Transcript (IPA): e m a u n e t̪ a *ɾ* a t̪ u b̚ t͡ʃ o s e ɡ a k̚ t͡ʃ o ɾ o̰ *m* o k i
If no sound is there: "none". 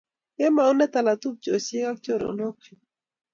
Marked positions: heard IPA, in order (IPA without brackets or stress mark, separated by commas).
l, n